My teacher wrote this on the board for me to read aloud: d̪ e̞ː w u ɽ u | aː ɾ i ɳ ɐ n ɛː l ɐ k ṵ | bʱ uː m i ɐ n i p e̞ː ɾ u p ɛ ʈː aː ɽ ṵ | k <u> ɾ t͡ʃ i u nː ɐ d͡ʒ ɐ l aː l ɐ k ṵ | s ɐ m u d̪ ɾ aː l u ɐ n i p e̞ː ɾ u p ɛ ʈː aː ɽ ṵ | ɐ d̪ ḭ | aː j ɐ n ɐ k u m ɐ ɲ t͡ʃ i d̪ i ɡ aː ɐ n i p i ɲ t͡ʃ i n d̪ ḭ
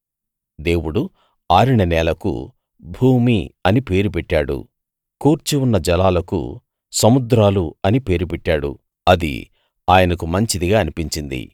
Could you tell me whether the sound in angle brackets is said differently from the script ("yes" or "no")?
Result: yes